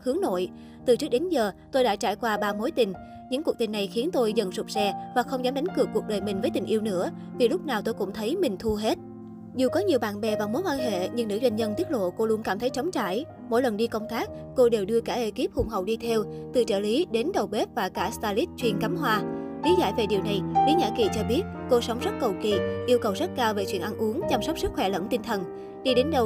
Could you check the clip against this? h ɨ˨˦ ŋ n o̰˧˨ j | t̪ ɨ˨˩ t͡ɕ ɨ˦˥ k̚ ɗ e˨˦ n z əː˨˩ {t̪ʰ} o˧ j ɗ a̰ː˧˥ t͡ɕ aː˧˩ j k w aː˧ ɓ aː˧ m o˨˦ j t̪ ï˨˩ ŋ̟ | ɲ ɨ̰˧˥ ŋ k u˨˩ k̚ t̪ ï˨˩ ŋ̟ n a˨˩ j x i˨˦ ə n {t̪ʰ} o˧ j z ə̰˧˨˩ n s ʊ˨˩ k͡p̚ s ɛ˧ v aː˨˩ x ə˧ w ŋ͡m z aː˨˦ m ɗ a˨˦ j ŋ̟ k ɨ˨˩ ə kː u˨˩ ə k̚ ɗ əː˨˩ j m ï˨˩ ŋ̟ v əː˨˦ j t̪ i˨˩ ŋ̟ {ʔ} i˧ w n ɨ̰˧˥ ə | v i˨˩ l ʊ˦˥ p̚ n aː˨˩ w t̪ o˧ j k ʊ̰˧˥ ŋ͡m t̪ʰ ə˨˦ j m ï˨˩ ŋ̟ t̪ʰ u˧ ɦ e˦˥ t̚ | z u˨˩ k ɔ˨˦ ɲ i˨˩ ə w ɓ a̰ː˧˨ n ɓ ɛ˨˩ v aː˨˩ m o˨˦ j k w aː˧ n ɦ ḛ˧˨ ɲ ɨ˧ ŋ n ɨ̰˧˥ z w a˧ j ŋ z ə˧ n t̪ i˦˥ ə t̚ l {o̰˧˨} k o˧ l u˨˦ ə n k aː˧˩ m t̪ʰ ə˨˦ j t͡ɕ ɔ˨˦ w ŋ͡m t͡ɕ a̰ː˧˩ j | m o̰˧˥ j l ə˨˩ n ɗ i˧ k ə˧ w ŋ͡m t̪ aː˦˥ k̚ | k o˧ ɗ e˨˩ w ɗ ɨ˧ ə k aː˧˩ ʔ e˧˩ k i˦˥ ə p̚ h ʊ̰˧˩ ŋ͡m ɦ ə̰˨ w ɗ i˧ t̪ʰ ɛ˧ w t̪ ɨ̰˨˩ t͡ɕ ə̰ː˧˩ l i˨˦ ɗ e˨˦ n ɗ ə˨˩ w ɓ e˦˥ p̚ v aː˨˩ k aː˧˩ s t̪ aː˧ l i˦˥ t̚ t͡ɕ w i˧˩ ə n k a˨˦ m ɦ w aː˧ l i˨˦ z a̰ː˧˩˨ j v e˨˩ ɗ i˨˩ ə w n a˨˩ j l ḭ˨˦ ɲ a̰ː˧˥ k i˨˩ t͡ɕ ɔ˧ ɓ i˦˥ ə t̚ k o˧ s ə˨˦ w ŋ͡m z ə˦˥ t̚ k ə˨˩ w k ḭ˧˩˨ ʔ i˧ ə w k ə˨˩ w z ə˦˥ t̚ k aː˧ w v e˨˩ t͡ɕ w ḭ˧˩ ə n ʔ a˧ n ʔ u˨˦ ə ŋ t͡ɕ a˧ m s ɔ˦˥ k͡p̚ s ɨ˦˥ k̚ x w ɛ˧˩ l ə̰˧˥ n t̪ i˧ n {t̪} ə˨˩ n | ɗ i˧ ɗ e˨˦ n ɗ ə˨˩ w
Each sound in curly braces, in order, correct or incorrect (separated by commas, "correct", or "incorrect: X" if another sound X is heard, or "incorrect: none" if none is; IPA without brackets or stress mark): incorrect: t̪, incorrect: t̪, correct, correct, incorrect: t̪ʰ